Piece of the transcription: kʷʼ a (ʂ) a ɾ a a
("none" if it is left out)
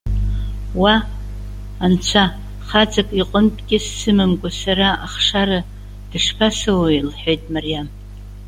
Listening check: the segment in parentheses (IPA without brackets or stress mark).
s